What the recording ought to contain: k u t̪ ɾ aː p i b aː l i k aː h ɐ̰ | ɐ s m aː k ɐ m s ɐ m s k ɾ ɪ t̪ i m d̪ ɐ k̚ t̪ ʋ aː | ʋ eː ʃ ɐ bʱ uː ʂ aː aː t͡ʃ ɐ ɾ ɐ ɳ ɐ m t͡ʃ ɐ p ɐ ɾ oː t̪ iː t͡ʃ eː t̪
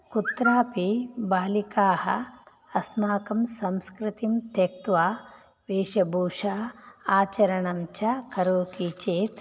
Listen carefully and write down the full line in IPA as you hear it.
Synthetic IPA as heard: k u t̪ ɾ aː p i b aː l i k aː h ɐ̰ | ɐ s m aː k ɐ m s ɐ m s k ɾ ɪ t̪ i m t̪ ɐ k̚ t̪ ʋ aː | ʋ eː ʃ ɐ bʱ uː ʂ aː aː t͡ʃ ɐ ɾ ɐ ɳ ɐ m t͡ʃ ɐ k ɐ ɾ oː t̪ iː t͡ʃ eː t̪

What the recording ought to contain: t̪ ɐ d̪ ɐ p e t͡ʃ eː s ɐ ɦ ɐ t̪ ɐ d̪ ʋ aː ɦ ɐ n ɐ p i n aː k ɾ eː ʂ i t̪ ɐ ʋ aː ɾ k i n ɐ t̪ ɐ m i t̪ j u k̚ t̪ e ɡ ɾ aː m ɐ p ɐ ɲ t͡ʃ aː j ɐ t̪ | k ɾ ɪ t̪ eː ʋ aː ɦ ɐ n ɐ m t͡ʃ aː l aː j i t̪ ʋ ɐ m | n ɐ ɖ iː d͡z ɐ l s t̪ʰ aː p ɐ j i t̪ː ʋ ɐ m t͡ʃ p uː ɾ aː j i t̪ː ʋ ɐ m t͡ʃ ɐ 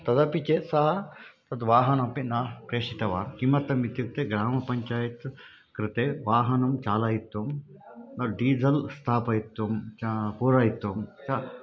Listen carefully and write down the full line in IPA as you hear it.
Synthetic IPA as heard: t̪ ɐ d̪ ɐ p i t͡ʃ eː s ɐ ɦ ɐ t̪ ɐ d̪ ʋ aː ɦ ɐ n ɐ p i n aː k ɾ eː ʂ i t̪ ɐ ʋ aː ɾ k i m ɐ t̪ ɐ m i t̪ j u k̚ t̪ e ɡ ɾ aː m ɐ p ɐ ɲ t͡ʃ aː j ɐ t̪ | k ɾ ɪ t̪ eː ʋ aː ɦ ɐ n ɐ m t͡ʃ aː l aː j i t̪ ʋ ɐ m | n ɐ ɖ iː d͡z ɐ l s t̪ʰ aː p ɐ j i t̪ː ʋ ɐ m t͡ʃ p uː ɾ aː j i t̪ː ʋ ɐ m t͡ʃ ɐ

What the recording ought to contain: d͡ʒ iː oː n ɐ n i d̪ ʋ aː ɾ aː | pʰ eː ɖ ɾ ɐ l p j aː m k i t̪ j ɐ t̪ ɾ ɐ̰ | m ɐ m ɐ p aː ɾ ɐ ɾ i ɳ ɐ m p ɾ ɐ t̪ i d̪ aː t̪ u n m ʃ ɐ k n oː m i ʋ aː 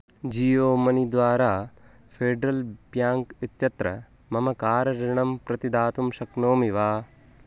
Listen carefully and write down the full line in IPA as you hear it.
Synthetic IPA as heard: d͡ʒ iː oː m ɐ n i d̪ ʋ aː ɾ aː | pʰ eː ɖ ɾ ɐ l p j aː ŋ k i t̪ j ɐ t̪ ɾ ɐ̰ | m ɐ m ɐ k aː ɾ ɐ ɾ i ɳ ɐ m p ɾ ɐ t̪ i d̪ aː t̪ u m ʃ ɐ k n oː m i ʋ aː

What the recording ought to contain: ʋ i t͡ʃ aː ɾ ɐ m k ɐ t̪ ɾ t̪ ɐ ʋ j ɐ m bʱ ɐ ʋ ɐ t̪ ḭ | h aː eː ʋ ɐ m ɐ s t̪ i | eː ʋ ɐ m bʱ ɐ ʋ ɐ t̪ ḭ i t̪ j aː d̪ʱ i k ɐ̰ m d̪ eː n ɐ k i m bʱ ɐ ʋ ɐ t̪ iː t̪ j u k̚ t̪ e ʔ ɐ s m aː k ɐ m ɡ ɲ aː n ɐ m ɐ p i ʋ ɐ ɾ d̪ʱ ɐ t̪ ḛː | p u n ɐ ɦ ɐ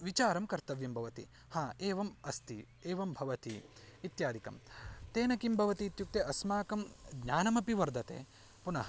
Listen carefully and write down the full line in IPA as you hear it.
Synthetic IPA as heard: ʋ i t͡ʃ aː ɾ ɐ m k ɐ ɾ t̪ ɐ ʋ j ɐ m bʱ ɐ ʋ ɐ t̪ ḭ | h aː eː ʋ ɐ m ɐ s t̪ i | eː ʋ ɐ m bʱ ɐ ʋ ɐ t̪ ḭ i t̪ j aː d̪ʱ i k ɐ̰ m t̪ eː n ɐ k i m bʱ ɐ ʋ ɐ t̪ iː t̪ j u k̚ t̪ e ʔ ɐ s m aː k ɐ m ɡ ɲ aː n ɐ m ɐ p i ʋ ɐ ɾ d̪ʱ ɐ t̪ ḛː | p u n ɐ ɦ ɐ

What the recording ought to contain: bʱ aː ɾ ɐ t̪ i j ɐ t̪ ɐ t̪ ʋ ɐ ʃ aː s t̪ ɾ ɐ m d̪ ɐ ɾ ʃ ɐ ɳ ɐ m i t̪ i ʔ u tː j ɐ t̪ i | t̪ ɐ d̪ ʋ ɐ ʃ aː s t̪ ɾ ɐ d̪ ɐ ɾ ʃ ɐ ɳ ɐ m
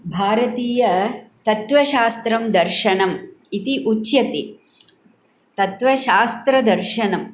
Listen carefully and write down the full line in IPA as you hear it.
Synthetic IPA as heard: bʱ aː ɾ ɐ t̪ iː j ɐ t̪ ɐ t̪ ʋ ɐ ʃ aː s t̪ ɾ ɐ m d̪ ɐ ɾ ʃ ɐ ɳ ɐ m i t̪ i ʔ u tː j ɐ t̪ i | t̪ ɐ t̪ ʋ ɐ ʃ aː s t̪ ɾ ɐ d̪ ɐ ɾ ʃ ɐ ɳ ɐ m

